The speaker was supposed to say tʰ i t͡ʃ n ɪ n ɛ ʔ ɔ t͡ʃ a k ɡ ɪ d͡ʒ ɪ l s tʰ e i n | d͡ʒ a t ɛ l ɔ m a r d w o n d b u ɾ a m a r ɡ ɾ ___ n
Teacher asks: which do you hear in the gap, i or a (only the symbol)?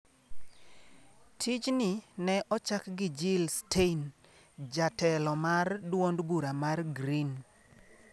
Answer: i